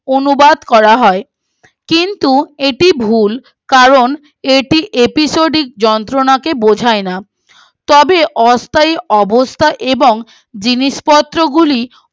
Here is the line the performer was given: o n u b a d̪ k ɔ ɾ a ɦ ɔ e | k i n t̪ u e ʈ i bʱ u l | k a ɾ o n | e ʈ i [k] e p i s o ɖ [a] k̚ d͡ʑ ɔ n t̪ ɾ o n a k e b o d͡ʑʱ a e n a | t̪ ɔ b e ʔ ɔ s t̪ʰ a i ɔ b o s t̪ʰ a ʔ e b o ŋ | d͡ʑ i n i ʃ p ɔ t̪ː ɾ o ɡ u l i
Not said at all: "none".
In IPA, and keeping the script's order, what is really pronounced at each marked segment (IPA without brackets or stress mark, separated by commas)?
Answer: ʔ, i